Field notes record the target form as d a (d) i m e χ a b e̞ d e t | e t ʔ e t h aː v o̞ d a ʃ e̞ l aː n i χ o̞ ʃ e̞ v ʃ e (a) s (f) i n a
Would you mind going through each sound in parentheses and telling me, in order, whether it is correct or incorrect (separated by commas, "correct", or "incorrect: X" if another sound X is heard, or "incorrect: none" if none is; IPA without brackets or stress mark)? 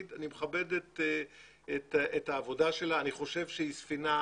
incorrect: n, incorrect: i, correct